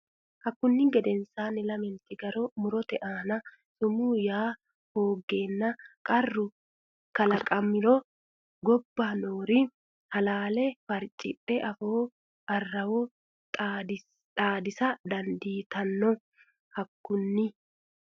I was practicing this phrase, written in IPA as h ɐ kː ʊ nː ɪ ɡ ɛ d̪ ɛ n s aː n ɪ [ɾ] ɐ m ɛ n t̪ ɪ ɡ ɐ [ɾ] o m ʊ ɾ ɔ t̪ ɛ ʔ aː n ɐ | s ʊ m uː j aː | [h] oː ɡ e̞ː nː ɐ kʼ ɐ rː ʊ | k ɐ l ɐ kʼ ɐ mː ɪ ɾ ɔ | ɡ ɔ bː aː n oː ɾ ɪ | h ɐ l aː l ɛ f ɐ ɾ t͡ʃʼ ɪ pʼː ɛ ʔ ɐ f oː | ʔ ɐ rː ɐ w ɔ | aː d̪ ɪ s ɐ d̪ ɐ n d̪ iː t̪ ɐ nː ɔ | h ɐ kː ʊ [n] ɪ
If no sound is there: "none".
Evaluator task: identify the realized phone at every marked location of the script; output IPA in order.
l, ɾ, h, nː

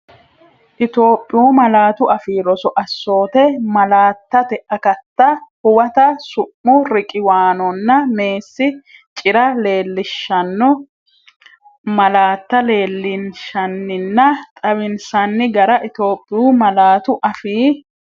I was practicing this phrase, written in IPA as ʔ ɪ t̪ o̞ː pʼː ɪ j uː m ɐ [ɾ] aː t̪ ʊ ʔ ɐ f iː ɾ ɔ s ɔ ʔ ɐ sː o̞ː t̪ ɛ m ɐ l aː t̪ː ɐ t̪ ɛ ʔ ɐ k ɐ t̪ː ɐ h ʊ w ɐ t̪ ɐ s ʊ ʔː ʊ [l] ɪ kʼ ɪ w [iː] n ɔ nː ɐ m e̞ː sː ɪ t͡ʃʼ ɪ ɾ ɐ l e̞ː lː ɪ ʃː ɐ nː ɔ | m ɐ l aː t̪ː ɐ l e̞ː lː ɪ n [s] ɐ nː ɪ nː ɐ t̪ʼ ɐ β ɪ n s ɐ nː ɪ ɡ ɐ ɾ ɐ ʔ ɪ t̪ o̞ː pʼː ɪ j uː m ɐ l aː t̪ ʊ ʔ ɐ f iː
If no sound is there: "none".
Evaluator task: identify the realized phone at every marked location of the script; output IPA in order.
l, ɾ, aː, ʃ

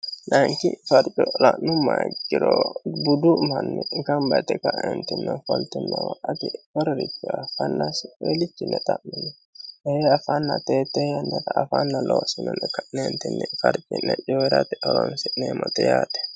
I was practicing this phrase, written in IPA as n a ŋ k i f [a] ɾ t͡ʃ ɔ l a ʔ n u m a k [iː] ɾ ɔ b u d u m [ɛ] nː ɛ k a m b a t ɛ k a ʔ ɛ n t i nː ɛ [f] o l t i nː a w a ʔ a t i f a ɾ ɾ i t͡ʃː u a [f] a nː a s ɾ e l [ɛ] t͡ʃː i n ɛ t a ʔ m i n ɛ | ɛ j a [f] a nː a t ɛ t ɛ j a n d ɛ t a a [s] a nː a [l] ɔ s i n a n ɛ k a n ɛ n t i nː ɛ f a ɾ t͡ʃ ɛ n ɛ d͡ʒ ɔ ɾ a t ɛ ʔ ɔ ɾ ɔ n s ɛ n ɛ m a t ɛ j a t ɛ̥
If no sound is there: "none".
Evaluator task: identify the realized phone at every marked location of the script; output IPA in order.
a, i, a, f, f, i, f, f, l

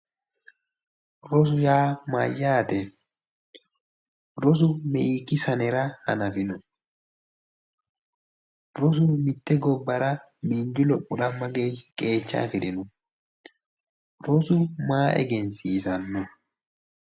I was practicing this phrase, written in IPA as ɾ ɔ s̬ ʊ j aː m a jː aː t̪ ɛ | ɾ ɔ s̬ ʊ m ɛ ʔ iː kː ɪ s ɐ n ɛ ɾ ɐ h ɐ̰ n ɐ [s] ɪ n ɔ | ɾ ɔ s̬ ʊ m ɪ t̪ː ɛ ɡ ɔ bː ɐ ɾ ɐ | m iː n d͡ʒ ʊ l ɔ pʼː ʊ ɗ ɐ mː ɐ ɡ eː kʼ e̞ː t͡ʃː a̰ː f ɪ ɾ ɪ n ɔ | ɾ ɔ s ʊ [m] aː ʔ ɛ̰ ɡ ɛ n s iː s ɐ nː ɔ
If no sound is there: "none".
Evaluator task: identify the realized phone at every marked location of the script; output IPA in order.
f, m

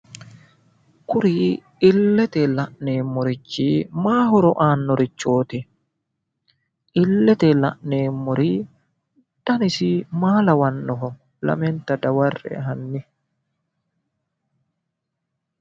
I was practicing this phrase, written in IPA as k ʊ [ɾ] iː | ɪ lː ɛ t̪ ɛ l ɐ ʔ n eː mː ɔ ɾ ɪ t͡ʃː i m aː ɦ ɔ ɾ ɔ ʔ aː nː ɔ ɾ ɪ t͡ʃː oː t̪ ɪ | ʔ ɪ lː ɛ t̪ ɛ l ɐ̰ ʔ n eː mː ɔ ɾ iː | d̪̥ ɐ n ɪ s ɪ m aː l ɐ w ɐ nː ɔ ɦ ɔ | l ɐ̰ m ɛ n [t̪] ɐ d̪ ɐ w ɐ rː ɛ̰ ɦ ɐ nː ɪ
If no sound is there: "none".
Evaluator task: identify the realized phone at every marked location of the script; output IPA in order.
ɾ, t̪

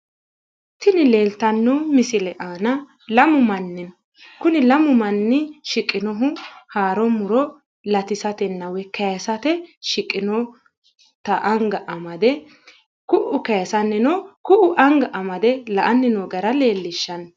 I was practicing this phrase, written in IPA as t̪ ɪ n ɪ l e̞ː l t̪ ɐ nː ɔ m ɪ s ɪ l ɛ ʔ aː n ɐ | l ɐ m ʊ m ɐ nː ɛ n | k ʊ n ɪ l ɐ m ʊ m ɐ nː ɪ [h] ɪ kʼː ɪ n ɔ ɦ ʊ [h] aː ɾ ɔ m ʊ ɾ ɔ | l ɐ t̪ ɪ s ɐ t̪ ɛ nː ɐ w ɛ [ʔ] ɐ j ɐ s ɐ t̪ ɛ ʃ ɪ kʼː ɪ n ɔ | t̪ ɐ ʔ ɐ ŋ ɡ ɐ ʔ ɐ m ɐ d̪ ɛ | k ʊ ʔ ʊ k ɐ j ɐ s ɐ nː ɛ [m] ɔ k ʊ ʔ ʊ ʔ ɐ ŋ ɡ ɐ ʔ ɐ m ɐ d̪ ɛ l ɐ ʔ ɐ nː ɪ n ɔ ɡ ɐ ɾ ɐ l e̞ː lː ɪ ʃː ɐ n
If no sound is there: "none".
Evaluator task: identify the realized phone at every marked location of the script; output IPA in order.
ʃ, h, k, n

